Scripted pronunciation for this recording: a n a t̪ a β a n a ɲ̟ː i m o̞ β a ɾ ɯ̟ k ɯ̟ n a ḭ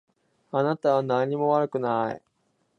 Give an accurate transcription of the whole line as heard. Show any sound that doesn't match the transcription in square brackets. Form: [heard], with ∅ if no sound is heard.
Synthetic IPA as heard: a n a t̪ a β a n a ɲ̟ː i m o̞ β a ɾ ɯ̟ k ɯ̟ n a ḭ